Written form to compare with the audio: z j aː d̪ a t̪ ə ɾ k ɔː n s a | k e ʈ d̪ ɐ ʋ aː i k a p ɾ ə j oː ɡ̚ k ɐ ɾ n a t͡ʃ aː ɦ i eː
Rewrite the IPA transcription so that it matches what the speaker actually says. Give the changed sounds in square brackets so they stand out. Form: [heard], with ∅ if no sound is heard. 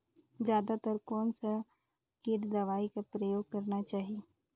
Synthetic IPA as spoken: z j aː d̪ a t̪ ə ɾ k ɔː n s a | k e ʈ d̪ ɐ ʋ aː i k a p ɾ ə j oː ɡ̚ k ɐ ɾ n a t͡ʃ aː ɦ i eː